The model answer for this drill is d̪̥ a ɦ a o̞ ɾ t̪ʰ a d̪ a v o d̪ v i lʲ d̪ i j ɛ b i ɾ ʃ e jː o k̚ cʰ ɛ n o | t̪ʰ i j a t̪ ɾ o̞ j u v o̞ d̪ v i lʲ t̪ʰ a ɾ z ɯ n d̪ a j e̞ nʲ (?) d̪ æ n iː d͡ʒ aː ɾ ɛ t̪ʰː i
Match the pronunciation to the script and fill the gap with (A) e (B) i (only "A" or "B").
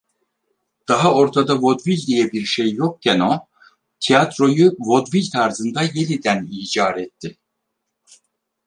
B